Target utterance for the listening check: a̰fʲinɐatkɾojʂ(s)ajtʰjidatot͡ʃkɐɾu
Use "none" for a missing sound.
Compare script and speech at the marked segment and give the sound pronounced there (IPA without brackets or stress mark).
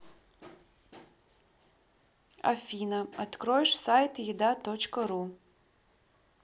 s